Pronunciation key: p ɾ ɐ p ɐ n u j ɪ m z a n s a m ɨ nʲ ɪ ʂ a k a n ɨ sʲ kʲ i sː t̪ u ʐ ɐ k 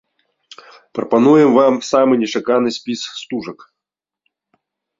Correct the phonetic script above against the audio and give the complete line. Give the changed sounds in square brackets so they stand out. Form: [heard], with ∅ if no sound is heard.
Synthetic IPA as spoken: p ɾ ɐ p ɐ n u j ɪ m [v] a [m] s a m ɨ nʲ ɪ ʂ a k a n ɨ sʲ [pʲ] i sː t̪ u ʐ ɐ k